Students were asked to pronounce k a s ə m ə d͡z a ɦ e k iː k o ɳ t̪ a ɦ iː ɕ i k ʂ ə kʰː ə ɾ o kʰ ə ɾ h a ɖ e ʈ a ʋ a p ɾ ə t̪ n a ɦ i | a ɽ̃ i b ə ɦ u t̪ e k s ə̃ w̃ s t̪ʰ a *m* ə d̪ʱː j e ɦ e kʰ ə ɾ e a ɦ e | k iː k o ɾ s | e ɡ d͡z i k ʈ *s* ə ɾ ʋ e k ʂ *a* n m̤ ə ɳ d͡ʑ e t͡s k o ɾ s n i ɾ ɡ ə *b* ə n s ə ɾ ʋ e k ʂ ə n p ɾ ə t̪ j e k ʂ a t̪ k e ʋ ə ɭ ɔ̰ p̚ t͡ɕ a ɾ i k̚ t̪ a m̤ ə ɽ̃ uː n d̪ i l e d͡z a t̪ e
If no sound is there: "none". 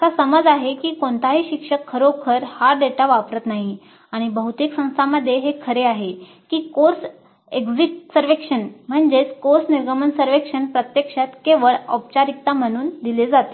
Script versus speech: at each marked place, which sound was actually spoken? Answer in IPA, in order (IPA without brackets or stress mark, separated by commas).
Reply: m, s, ə, m